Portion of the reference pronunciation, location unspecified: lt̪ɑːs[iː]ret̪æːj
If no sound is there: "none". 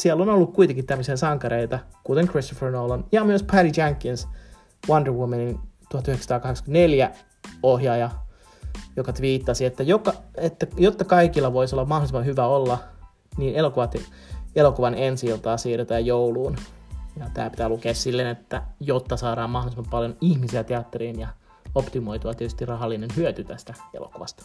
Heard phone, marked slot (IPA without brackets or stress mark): iː